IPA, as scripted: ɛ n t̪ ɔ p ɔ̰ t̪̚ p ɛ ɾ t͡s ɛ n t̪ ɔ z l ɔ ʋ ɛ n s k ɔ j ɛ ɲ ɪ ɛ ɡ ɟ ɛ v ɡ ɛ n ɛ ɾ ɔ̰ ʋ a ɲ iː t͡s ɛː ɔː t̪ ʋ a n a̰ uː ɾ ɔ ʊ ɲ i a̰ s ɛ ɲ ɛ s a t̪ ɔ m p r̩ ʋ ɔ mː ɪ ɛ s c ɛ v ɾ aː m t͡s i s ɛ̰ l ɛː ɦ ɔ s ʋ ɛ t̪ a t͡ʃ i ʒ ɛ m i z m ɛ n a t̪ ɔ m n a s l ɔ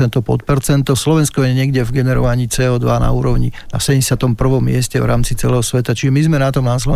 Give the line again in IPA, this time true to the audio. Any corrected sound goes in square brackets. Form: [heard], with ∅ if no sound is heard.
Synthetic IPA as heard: ɛ n t̪ ɔ p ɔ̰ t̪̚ p ɛ ɾ t͡s ɛ n t̪ ɔ [s] l ɔ ʋ ɛ n s k ɔ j ɛ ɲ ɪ ɛ ɡ ɟ ɛ v ɡ ɛ n ɛ ɾ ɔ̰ ʋ a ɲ iː t͡s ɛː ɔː [d̪] ʋ a n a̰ uː ɾ ɔ ʊ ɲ i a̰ s ɛ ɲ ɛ s a t̪ ɔ m p r̩ ʋ ɔ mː ɪ ɛ s c ɛ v ɾ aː m t͡s i [t͡s] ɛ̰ l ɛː ɦ ɔ s ʋ ɛ t̪ a t͡ʃ i ʒ ɛ m i z m ɛ n a t̪ ɔ m n a s l ɔ